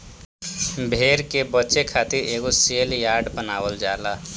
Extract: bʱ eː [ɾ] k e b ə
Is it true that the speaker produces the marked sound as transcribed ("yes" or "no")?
yes